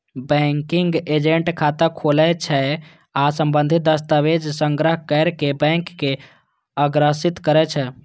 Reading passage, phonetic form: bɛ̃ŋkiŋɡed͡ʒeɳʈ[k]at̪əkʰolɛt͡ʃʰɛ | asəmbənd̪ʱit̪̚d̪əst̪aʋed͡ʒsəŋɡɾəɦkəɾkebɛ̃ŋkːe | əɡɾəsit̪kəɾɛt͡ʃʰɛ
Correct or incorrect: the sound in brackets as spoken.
incorrect: kʰ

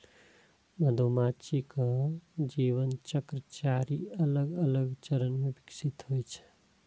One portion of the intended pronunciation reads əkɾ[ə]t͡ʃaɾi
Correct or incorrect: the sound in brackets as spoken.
correct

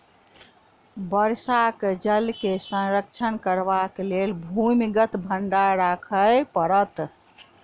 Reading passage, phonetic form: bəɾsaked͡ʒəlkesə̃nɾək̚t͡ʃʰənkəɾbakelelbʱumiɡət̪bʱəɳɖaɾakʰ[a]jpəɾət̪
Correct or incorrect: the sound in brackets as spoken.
incorrect: ə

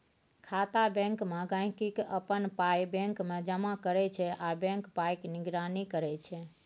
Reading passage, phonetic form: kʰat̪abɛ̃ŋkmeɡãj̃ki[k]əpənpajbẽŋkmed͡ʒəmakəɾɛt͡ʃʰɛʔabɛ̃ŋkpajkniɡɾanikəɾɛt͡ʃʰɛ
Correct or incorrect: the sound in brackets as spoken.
correct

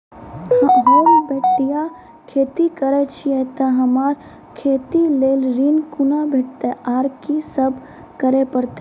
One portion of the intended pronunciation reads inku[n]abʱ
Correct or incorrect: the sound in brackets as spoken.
correct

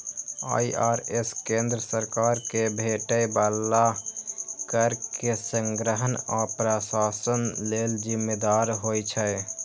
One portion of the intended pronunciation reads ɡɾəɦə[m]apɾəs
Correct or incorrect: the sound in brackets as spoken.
incorrect: n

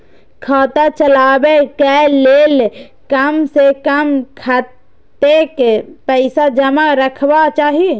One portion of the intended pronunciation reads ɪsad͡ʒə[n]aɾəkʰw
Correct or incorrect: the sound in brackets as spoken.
incorrect: m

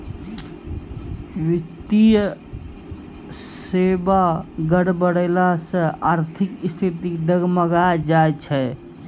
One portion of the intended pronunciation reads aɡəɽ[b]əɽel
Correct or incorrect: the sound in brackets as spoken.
correct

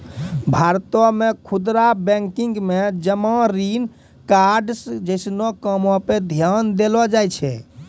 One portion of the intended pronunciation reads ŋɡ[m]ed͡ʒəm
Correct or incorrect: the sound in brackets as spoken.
correct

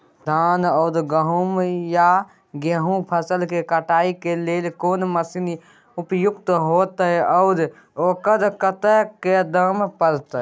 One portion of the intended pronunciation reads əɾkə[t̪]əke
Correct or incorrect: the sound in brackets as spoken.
correct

